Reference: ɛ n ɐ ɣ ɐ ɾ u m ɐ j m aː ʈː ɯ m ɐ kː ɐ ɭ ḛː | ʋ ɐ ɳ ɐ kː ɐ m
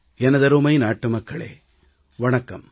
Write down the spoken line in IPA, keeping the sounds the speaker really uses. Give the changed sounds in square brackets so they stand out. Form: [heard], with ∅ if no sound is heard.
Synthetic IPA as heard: ɛ n ɐ [ð] ɐ ɾ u m ɐ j [n] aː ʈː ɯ m ɐ kː ɐ ɭ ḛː | ʋ ɐ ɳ ɐ kː ɐ m